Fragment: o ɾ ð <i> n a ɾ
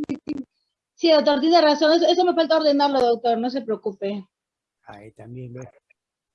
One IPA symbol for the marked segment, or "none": e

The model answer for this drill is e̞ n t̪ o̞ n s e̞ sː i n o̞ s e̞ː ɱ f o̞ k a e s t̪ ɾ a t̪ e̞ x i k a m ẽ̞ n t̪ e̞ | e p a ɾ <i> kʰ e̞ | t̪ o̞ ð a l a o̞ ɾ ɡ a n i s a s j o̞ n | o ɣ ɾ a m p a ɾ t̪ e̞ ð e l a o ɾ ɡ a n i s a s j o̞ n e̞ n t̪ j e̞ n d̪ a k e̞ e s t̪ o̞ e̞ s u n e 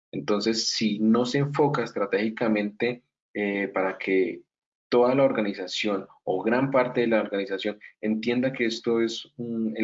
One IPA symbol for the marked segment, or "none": a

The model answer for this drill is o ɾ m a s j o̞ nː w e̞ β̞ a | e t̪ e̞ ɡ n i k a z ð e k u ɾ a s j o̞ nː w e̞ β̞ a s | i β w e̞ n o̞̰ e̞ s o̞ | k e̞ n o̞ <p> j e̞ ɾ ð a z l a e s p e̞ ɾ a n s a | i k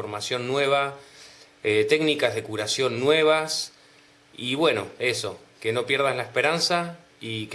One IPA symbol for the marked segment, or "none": p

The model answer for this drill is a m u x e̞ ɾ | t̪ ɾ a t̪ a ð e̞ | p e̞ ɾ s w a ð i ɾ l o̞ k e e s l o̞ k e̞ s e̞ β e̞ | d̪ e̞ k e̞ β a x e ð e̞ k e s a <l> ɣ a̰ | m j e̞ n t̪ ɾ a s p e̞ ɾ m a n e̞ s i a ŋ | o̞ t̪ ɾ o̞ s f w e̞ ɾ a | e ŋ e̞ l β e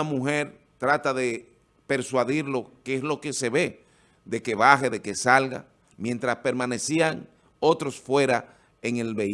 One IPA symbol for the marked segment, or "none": l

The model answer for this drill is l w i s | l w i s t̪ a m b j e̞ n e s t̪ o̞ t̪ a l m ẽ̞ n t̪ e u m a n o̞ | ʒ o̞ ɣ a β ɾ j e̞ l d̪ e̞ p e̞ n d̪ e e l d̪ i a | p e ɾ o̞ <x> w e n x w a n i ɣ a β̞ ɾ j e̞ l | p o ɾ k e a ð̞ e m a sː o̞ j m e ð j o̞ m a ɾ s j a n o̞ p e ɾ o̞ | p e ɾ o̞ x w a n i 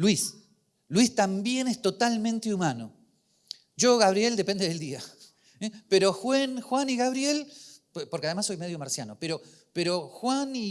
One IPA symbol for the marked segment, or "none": x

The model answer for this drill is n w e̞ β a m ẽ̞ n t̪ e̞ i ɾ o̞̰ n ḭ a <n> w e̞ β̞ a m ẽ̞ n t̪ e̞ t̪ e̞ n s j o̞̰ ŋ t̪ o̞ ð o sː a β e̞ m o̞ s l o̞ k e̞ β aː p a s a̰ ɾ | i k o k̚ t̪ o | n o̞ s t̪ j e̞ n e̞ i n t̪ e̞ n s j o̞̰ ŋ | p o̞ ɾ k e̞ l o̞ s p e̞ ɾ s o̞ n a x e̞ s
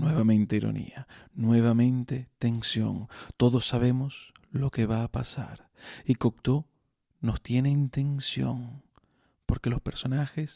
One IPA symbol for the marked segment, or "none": n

